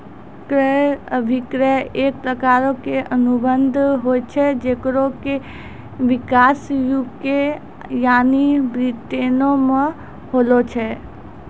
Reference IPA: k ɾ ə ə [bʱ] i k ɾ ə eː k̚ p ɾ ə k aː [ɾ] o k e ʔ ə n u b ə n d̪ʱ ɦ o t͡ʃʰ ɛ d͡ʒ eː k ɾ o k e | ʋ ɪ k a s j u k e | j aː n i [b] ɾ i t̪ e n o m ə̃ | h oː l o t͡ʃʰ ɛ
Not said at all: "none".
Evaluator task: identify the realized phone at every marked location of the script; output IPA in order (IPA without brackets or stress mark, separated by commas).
bʱ, ɾ, b